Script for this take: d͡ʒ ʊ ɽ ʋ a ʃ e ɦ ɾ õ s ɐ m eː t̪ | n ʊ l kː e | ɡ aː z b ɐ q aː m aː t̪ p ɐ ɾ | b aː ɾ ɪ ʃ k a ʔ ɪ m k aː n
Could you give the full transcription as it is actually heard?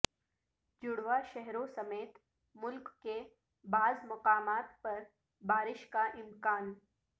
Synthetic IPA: d͡ʒ ʊ ɽ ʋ a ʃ ɛ ɦ ɾ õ s ɐ m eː t̪ | m ʊ l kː e | b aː z m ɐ q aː m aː t̪ p ɐ ɾ | b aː ɾ ɪ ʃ k a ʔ ɪ m k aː n